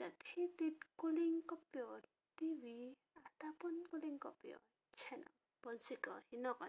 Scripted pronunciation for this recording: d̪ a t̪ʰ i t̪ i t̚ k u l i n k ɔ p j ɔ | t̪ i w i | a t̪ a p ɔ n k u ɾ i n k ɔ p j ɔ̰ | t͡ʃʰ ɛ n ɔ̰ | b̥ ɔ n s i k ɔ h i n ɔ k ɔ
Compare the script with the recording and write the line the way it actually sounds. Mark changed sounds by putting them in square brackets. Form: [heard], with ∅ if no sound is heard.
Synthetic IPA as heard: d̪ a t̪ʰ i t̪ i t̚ k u l i [ŋ] k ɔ p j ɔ | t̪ i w i | a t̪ a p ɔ n k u [l] i [ŋ] k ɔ p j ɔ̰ | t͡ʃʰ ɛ n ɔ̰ | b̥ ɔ n s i k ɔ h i n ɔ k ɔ